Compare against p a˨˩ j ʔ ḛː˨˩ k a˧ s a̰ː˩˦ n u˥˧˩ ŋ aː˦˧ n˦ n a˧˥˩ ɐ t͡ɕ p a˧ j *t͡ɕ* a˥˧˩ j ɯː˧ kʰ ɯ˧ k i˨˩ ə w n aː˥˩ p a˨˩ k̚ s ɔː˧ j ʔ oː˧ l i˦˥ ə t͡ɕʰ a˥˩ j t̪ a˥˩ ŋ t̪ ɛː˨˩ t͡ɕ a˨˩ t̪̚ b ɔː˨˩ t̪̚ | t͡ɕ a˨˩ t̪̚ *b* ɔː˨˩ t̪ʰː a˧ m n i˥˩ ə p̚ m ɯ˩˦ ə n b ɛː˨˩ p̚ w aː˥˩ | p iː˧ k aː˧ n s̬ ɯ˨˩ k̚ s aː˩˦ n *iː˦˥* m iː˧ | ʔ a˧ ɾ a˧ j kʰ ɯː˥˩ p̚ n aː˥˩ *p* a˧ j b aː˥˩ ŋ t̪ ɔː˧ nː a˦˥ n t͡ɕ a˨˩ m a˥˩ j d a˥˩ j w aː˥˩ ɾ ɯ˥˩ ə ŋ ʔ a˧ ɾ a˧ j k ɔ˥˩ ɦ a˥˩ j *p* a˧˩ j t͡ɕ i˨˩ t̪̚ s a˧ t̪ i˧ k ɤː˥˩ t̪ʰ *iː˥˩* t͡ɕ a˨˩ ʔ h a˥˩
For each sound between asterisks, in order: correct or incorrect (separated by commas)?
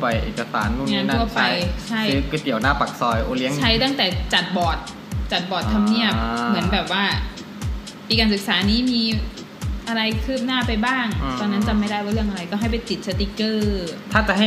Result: incorrect, correct, correct, correct, correct, incorrect